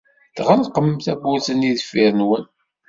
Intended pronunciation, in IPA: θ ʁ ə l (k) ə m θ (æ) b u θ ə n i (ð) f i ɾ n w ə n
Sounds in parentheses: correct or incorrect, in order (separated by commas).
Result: incorrect, correct, correct